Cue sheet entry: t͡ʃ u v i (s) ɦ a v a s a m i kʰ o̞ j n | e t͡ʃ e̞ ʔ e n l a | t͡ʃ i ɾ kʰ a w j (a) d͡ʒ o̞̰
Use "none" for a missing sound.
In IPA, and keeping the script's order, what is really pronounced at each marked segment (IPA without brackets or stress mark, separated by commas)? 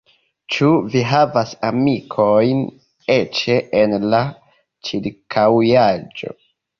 none, a